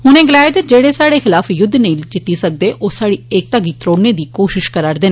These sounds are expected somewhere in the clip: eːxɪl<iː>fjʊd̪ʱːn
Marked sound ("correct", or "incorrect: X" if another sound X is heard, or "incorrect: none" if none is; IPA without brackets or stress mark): incorrect: aː